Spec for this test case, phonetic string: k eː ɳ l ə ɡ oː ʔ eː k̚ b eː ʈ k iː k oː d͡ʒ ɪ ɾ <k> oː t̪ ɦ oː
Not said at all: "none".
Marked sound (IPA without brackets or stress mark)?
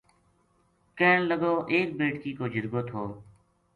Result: ɡ